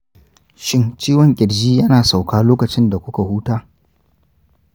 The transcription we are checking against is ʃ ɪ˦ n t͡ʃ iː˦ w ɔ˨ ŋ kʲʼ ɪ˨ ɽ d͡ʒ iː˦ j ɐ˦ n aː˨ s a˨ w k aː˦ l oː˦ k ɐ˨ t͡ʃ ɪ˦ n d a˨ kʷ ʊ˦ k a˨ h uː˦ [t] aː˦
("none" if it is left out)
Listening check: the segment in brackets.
t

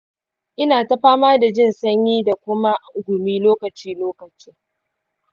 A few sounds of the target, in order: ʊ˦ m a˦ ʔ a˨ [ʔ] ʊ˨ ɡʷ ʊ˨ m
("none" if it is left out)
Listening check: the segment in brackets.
ʔ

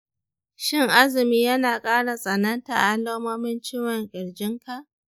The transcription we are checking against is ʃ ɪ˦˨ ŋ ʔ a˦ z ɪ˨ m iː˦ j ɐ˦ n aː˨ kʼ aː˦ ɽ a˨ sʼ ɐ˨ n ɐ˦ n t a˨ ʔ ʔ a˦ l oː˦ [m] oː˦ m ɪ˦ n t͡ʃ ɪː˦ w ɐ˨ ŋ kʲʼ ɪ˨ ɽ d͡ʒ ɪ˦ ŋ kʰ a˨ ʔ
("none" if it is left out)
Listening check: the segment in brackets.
m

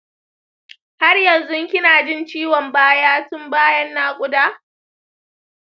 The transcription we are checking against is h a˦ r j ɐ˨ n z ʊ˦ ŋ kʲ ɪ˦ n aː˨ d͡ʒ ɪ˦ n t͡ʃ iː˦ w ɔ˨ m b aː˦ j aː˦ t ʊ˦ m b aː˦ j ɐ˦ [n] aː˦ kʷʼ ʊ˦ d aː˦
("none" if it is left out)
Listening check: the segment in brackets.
nː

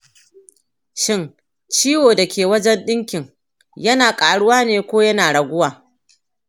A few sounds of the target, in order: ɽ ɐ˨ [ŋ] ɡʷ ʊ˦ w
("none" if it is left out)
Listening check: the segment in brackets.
none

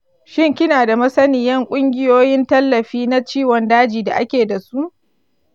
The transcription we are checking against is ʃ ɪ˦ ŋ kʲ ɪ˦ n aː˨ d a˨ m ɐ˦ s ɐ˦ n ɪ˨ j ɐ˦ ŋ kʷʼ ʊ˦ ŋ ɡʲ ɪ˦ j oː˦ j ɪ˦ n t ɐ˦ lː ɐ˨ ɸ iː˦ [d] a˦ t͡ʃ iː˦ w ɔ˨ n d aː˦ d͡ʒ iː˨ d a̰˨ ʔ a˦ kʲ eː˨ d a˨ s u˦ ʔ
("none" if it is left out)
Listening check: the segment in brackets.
n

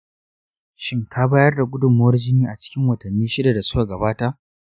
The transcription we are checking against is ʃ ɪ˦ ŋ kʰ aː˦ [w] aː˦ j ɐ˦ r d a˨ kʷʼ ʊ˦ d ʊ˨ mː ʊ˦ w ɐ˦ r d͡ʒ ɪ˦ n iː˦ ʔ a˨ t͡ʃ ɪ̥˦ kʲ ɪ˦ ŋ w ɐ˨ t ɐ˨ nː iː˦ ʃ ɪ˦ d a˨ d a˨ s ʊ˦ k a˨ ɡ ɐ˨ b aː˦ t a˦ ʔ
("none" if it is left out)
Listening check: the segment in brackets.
b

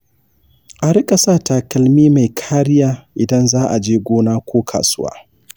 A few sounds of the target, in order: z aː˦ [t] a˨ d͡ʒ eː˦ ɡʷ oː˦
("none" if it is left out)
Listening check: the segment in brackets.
ʔ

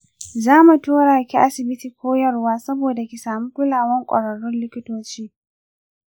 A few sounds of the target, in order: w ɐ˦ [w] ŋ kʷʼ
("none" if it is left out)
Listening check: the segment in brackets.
none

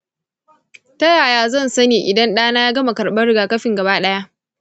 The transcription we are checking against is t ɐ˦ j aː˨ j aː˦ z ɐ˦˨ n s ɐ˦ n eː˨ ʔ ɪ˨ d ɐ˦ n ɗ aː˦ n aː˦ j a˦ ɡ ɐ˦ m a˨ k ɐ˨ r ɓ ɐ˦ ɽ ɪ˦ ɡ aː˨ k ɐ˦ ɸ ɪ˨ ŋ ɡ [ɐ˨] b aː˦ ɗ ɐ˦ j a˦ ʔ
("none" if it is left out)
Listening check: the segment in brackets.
ɐ˨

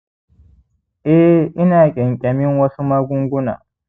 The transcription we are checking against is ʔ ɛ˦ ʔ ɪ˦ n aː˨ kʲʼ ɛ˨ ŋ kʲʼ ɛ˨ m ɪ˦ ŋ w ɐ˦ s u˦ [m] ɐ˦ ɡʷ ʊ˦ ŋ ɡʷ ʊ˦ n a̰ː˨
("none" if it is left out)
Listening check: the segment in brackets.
m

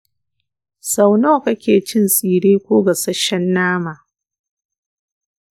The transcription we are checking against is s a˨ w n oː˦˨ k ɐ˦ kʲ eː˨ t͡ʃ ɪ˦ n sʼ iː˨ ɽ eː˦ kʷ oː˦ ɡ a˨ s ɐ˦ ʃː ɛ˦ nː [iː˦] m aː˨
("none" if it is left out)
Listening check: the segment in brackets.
aː˦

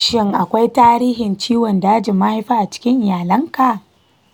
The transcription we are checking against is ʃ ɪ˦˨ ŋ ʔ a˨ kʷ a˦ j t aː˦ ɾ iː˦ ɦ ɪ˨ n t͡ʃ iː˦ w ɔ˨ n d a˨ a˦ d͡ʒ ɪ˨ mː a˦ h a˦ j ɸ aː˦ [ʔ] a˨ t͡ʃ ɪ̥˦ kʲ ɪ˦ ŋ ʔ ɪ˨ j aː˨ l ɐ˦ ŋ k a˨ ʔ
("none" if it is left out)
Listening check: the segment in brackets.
ʔ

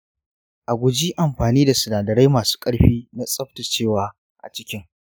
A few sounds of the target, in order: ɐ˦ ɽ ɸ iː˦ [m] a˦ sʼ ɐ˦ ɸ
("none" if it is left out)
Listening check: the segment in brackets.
n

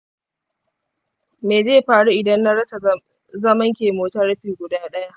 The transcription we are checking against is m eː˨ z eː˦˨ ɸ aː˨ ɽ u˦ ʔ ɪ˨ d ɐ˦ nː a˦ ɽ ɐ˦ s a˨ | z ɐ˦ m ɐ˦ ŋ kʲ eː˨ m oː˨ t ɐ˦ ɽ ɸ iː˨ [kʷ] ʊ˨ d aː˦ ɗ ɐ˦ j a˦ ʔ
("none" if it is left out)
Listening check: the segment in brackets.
ɡʷ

